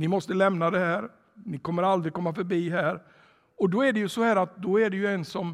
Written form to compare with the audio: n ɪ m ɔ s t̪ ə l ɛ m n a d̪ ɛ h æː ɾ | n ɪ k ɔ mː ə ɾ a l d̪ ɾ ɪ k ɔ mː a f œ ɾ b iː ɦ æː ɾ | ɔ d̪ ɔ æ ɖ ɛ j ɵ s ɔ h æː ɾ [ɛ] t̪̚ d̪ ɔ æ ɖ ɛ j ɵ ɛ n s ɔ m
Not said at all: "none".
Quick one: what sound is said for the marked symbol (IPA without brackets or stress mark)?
a